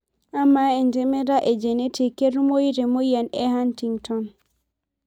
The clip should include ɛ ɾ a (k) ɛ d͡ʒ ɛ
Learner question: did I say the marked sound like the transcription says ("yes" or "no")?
no